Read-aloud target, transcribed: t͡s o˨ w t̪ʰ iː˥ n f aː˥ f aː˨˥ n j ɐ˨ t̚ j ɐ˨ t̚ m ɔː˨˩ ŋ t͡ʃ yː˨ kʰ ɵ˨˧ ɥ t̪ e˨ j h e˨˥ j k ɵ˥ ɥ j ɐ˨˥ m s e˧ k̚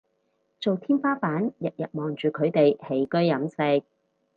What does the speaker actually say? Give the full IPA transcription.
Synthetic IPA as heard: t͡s o˨ w t̪ʰ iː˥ n f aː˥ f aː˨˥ n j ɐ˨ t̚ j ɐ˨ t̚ m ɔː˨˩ ŋ t͡ʃ yː˨ kʰ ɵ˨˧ ɥ t̪ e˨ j h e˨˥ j k ɵ˥ ɥ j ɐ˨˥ m s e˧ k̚